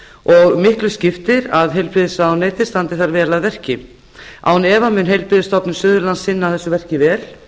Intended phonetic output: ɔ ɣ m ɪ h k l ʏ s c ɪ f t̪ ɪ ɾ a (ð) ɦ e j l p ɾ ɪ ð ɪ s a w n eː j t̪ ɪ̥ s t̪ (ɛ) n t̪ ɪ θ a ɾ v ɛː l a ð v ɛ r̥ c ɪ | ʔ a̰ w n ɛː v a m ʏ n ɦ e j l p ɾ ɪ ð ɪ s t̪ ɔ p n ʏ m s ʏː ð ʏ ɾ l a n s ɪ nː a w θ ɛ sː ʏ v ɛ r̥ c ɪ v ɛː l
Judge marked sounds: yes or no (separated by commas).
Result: yes, no